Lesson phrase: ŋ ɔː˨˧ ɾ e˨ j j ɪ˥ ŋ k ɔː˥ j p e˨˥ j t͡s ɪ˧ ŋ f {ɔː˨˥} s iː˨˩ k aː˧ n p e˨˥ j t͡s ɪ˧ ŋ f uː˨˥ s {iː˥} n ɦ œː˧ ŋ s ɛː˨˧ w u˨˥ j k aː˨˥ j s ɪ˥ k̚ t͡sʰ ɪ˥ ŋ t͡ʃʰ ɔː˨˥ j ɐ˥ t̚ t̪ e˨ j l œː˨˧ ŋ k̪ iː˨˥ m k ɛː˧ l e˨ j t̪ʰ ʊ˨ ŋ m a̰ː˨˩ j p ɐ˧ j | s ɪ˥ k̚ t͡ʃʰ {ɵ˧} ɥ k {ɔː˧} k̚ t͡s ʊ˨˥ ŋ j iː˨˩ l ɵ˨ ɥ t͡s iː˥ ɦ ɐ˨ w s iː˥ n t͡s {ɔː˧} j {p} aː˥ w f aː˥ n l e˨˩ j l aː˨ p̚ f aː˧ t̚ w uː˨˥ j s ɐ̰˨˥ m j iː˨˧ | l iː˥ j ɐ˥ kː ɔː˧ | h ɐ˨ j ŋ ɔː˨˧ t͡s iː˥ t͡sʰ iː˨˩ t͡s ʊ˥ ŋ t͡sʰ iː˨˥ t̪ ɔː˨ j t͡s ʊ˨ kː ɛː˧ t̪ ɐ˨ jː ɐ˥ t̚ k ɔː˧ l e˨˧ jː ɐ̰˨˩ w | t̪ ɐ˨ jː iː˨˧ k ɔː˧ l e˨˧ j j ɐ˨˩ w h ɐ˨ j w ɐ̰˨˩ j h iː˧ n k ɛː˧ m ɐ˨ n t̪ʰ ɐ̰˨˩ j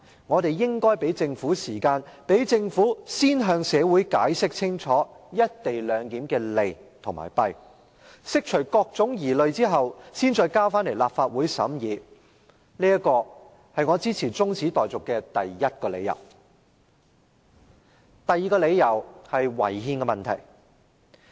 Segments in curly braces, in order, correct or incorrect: incorrect: uː˨˥, correct, incorrect: ɵ˨˩, correct, correct, incorrect: k

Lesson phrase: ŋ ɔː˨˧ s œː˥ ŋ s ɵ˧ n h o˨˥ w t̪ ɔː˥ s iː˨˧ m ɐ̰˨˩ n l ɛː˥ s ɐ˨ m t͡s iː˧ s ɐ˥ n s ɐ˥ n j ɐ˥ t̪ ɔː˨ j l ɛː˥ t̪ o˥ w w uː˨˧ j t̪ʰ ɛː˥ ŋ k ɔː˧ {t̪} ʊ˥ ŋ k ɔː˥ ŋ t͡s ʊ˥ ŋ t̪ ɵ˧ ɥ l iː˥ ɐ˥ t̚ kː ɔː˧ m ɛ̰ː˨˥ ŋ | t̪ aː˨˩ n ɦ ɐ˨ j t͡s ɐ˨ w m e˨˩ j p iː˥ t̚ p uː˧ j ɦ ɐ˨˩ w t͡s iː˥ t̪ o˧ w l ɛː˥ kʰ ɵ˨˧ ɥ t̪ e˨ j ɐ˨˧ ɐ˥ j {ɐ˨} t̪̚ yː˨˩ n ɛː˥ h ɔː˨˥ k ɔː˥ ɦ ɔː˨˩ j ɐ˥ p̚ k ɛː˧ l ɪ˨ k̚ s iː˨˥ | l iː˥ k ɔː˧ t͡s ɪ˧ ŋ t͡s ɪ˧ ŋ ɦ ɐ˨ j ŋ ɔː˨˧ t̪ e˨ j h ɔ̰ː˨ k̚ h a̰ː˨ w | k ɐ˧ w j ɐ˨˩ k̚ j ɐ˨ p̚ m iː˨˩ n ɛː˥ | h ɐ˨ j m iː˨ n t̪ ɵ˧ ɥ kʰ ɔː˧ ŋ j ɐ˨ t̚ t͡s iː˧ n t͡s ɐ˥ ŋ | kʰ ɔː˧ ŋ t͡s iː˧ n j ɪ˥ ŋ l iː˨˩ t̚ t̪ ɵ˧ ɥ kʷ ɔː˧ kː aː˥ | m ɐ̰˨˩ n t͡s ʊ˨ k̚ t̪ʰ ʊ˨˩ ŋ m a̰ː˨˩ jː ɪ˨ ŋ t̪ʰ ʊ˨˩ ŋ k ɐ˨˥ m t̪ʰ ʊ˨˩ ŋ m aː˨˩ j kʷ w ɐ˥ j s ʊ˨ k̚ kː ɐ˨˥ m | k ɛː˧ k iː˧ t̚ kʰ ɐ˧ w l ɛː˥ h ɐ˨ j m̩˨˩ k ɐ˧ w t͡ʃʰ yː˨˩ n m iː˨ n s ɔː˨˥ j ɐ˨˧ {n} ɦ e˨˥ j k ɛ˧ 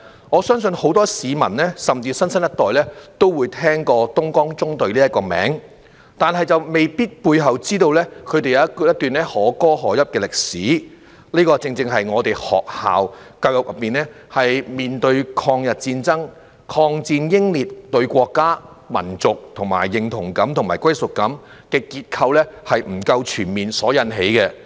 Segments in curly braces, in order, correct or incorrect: correct, incorrect: ɐ˥, correct

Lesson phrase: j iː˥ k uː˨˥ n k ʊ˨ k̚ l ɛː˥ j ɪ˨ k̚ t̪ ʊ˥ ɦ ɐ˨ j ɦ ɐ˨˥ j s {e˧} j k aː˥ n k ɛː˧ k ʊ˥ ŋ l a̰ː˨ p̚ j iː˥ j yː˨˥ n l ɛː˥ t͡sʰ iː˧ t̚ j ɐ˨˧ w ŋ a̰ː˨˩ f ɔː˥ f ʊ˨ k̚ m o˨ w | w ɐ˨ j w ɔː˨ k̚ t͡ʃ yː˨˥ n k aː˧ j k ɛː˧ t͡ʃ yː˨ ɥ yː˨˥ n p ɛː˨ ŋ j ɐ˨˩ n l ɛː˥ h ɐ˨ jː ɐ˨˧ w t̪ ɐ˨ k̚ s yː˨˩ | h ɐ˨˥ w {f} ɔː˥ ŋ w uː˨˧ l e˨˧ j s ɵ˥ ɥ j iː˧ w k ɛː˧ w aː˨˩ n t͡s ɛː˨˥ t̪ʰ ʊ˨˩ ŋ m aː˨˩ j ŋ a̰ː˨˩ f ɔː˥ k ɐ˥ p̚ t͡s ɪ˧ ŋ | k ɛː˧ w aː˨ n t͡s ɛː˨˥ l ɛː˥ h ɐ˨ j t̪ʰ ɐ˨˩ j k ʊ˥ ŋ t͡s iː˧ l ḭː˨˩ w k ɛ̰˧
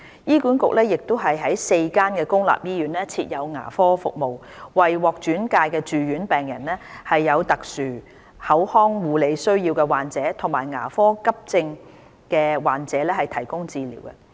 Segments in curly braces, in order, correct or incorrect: correct, incorrect: h

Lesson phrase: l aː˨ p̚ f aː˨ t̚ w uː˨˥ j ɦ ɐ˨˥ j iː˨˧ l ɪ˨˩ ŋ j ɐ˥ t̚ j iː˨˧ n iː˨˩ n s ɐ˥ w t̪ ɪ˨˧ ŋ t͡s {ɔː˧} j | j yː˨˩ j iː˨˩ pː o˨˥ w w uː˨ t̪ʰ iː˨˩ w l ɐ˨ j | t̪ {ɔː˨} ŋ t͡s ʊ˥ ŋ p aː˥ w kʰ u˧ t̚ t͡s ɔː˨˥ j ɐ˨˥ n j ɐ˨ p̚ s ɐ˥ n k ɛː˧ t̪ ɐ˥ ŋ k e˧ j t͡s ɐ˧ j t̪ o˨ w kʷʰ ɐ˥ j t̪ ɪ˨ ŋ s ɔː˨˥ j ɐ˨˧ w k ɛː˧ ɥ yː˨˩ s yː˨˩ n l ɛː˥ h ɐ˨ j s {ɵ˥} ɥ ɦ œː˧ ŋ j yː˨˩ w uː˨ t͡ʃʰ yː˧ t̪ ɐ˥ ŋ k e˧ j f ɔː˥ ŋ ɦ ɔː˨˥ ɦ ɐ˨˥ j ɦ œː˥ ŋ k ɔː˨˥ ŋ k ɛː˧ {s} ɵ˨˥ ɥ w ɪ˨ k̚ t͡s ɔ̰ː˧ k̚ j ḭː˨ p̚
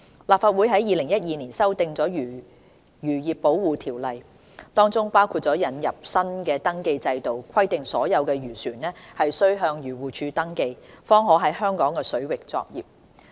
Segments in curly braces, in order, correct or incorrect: incorrect: ɔː˨˥, incorrect: ɔː˥, correct, correct

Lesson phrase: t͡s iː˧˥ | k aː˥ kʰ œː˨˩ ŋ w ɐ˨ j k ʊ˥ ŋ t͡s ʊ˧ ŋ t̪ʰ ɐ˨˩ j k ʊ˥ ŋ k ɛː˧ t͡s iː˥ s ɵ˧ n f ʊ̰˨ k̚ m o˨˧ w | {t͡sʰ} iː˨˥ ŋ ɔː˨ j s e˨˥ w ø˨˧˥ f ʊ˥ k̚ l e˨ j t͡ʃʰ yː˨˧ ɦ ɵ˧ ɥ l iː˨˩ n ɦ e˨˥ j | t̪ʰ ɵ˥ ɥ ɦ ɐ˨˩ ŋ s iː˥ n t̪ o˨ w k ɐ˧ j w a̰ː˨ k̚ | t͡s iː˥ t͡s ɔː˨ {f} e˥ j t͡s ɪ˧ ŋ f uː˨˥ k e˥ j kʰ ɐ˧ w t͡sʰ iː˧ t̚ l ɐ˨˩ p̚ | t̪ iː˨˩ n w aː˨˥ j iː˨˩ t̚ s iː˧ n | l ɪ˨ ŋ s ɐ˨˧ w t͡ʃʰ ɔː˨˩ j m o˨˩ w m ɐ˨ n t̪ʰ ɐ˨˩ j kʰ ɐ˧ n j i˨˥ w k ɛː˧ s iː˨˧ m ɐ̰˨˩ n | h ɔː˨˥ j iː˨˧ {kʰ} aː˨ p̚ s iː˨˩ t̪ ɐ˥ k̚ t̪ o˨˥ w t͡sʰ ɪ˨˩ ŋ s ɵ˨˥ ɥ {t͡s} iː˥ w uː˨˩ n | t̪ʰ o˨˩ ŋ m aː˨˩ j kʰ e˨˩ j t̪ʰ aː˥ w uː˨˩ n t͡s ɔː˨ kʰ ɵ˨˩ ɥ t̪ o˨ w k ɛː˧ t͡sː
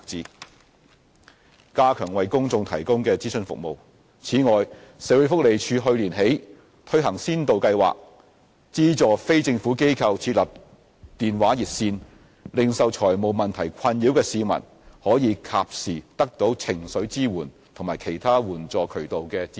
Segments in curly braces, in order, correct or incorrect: correct, correct, correct, correct

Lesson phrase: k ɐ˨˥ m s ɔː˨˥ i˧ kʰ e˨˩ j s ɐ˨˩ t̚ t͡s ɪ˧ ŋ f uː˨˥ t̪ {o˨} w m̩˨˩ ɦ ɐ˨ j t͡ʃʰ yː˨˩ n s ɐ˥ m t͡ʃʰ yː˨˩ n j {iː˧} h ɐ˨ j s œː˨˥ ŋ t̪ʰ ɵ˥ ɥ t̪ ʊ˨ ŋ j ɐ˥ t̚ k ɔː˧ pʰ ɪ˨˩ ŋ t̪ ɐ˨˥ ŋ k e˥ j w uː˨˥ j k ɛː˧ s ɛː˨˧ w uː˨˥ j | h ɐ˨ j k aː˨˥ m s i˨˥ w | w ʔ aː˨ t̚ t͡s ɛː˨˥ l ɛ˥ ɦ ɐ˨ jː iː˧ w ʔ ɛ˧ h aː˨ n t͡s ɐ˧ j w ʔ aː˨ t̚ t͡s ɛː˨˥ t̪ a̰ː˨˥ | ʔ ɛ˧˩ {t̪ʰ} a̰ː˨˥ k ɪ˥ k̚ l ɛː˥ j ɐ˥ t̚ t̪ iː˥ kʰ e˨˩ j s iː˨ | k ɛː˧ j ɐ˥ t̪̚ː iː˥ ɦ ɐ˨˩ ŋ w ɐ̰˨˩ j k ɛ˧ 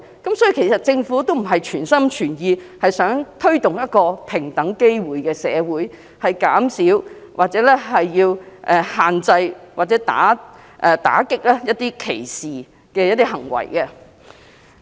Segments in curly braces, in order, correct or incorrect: incorrect: o˥, correct, incorrect: t̪

